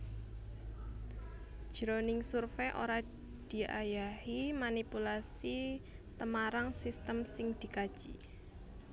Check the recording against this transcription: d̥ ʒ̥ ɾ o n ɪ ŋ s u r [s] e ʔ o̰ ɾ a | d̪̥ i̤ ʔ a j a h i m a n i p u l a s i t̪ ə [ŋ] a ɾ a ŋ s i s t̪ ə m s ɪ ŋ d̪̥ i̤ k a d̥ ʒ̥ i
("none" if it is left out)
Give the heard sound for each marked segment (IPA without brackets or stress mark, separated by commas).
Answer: f, m